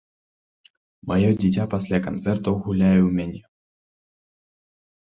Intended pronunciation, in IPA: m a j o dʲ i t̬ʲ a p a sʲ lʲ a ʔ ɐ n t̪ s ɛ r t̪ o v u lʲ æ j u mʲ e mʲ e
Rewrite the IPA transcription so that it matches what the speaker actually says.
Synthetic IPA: m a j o dʲ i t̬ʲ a p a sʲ lʲ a k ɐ n t̪ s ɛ r t̪ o ɣ u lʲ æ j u mʲ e nʲ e